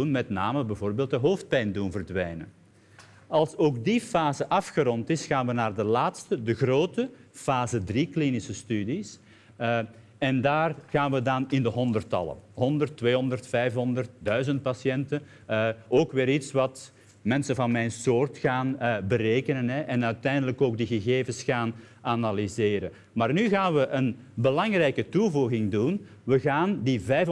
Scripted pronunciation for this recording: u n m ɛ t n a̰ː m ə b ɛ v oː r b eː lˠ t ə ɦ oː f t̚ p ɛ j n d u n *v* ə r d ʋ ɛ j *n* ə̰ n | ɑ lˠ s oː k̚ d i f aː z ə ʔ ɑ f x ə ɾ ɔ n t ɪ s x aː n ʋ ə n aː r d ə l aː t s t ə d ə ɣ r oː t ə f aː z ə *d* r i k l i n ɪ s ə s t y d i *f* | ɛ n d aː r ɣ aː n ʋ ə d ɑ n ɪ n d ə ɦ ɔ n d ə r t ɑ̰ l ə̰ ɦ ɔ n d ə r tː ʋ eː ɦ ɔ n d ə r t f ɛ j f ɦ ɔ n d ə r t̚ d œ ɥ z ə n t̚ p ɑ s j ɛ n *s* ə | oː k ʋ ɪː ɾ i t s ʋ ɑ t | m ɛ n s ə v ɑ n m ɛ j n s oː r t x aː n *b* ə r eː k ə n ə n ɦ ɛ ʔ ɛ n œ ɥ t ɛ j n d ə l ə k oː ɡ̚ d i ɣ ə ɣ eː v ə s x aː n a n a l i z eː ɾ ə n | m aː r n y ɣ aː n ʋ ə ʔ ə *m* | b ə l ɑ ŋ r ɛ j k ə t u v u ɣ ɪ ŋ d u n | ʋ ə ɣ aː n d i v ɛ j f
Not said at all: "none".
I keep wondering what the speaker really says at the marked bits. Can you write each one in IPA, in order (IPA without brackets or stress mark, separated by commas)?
v, n, d, s, t, b, n